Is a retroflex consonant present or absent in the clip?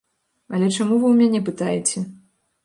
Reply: present